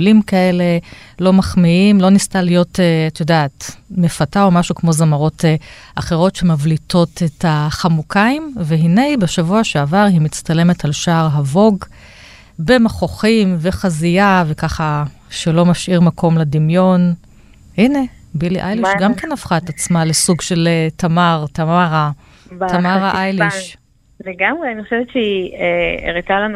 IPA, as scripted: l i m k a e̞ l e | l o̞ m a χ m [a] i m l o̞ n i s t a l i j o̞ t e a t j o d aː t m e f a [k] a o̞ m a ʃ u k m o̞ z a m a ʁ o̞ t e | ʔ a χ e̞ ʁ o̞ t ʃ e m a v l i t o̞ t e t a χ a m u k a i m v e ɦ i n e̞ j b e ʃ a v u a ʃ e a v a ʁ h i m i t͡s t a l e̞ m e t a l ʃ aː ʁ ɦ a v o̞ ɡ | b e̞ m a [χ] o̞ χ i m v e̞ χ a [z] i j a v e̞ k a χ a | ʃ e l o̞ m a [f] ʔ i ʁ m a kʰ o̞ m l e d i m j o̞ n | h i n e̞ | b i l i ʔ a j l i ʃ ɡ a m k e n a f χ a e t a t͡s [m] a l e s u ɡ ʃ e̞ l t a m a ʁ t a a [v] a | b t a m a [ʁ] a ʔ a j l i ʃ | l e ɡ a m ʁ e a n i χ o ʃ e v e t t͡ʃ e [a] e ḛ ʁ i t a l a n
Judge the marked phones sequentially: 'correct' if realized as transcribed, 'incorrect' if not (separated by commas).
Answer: incorrect, incorrect, correct, correct, incorrect, correct, incorrect, correct, incorrect